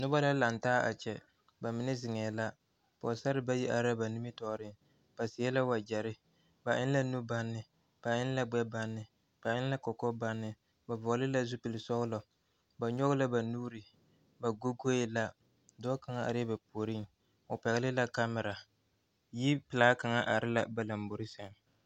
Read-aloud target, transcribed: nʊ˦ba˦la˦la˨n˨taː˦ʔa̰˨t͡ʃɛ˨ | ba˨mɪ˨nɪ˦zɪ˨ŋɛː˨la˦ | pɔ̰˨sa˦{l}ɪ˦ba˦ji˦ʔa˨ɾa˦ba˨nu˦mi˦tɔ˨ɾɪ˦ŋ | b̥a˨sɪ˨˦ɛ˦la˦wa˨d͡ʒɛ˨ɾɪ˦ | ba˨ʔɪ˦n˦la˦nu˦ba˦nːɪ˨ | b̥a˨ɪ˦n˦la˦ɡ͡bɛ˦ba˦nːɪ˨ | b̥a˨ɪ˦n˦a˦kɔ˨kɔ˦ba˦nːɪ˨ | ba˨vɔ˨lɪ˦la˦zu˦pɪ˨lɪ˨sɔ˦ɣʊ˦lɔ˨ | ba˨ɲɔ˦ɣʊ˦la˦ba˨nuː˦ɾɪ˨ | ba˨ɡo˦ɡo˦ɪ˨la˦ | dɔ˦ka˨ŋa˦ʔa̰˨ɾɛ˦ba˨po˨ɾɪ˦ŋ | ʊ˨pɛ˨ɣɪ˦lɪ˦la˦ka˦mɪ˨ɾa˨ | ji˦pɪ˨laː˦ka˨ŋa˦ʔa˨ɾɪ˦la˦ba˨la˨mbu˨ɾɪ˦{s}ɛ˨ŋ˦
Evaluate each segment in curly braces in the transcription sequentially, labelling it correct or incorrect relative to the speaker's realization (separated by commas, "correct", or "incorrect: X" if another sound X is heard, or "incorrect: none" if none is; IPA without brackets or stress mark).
incorrect: ɾ, correct